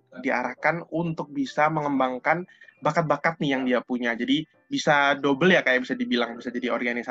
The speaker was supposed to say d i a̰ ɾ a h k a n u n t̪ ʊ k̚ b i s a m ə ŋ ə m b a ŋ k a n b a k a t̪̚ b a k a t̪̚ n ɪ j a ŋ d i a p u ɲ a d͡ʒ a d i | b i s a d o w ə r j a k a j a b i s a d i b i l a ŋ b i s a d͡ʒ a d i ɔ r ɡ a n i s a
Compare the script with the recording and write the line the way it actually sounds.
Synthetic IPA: d i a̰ ɾ a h k a n u n t̪ ʊ k̚ b i s a m ə ŋ ə m b a ŋ k a n b a k a t̪̚ b a k a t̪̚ n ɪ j a ŋ d i a p u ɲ a d͡ʒ a d i | b i s a d o b ə l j a k a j a b i s a d i b i l a ŋ b i s a d͡ʒ a d i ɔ r ɡ a n i s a